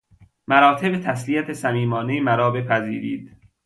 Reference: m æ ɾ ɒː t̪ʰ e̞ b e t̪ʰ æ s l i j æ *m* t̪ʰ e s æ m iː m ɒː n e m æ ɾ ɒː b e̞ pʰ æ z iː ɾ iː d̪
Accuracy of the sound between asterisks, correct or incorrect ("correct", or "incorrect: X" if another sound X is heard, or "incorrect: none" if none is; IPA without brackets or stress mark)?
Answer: incorrect: none